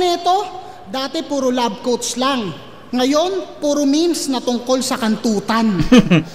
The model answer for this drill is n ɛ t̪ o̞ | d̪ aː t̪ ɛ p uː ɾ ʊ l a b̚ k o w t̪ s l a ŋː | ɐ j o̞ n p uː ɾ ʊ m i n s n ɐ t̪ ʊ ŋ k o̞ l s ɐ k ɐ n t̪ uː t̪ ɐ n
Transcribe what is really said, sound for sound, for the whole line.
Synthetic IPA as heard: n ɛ t̪ o̞ | d̪ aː t̪ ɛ p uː ɾ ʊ l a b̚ k o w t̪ s l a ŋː | ɐ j o̞ n p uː ɾ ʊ m i n s n ɐ t̪ ʊ ŋ k o̞ l s ɐ k ɐ n t̪ uː t̪ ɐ n